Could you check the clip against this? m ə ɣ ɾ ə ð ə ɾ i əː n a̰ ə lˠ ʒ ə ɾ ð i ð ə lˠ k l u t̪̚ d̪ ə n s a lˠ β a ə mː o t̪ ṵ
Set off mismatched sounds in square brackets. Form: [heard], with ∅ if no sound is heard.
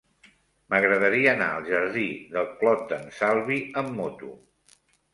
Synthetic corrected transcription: m ə ɣ ɾ ə ð ə ɾ i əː n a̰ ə lˠ ʒ ə ɾ ð i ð ə lˠ k l [ɔ] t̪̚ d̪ ə n s a lˠ β [i] ə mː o t̪ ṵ